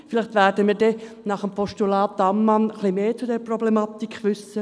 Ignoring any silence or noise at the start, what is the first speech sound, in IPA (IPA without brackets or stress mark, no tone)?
f